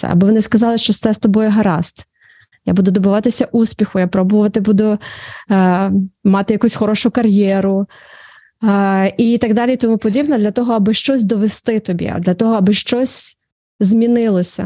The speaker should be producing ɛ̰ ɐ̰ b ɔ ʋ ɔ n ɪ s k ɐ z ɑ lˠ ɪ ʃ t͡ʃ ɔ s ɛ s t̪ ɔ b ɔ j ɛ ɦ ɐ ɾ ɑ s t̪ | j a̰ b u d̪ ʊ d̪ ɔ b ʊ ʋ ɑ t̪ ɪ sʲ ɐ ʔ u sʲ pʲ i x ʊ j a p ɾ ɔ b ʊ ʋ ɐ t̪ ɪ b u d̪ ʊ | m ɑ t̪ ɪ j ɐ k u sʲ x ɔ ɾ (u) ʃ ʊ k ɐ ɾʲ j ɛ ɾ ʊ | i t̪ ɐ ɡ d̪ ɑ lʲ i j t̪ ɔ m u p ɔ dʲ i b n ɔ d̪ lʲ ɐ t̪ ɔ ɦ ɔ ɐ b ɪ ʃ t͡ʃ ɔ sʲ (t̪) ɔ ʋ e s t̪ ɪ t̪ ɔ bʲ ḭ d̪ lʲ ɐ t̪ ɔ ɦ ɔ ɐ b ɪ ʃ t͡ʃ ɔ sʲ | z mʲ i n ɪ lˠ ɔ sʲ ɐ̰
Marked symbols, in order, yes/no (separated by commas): no, no